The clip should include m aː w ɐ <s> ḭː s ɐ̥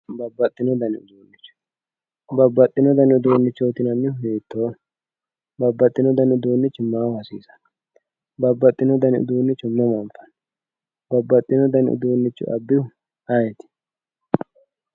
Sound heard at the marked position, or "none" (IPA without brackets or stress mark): s